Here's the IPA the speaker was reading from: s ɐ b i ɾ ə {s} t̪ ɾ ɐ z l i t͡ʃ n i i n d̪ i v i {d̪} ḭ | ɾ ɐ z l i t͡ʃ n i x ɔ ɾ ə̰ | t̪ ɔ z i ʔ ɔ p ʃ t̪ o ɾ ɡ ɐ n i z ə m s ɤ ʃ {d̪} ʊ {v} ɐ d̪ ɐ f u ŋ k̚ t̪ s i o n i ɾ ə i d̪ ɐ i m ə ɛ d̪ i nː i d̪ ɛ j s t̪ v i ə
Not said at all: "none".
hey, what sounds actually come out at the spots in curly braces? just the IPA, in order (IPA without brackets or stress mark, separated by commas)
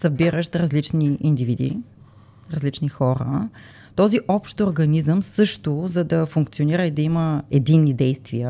ʃ, d̪, t̪, z